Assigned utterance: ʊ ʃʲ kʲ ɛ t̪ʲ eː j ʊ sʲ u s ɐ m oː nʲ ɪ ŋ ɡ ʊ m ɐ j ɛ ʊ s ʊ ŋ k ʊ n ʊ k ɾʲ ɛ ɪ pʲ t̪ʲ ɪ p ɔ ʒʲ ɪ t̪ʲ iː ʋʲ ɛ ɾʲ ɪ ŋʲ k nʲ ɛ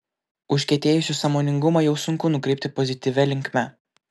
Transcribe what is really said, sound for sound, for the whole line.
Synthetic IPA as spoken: ʊ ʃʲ kʲ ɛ t̪ʲ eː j ʊ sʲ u s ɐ m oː nʲ ɪ ŋ ɡ ʊ m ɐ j ɛ ʊ s ʊ ŋ k ʊ n ʊ k ɾʲ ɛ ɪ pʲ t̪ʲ ɪ p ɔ zʲ ɪ t̪ʲ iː ʋʲ ɛ lʲ ɪ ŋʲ k mʲ ɛ